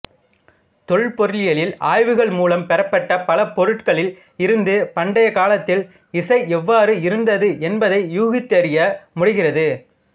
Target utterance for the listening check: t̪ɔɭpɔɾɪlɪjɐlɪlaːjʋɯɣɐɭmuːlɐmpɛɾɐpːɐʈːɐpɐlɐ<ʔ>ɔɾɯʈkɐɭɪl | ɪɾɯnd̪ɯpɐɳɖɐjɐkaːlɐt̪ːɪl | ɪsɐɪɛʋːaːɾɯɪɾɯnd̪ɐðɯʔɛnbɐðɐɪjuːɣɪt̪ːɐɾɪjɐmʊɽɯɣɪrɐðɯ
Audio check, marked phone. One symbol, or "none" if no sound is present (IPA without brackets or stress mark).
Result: p